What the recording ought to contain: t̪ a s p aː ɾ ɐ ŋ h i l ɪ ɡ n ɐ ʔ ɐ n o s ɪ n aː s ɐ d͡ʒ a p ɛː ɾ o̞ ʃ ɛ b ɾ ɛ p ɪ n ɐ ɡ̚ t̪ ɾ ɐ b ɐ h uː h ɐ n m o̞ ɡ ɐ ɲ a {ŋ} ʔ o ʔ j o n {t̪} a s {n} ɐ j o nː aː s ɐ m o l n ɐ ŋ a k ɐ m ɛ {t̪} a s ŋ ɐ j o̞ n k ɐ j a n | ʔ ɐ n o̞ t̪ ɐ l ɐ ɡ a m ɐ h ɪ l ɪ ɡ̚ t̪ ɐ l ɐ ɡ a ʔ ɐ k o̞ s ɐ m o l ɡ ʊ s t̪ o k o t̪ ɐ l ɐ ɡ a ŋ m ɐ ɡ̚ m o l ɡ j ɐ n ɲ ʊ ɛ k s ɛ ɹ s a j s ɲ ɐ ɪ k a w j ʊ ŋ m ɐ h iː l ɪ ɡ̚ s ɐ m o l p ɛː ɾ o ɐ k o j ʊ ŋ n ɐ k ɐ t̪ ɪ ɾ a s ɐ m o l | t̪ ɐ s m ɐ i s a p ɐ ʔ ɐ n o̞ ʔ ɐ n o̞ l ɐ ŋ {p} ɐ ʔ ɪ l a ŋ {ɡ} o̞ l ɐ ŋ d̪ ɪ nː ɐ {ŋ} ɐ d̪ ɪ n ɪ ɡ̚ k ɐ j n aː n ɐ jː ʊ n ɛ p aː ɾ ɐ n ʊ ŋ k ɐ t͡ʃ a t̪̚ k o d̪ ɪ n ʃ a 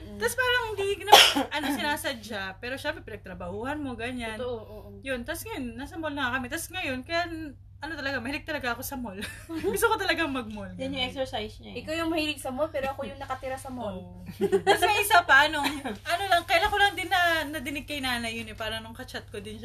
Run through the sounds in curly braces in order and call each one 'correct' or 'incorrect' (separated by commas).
incorrect, correct, incorrect, correct, incorrect, incorrect, incorrect